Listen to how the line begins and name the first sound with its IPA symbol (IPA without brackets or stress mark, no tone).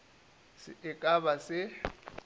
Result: s